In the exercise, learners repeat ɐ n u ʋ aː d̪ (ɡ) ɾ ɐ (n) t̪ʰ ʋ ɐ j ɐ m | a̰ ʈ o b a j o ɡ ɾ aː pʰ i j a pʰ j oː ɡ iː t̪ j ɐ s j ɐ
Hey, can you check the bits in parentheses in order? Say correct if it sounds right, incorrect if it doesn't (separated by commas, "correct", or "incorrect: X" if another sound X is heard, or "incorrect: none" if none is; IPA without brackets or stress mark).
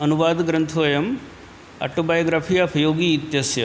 correct, correct